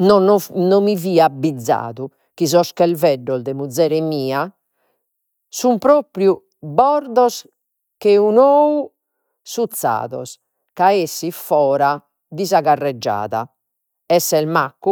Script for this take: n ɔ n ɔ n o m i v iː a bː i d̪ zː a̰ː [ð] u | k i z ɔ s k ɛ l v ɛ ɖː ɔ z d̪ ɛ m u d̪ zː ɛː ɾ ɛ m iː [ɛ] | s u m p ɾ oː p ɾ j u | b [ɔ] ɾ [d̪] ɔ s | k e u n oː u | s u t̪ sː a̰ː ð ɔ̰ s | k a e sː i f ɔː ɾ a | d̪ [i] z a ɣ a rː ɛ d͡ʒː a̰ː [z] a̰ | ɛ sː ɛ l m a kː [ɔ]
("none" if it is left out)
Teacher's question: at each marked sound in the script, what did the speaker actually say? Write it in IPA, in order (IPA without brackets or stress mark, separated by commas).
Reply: ð, a, ɔ, d̪, i, ð, u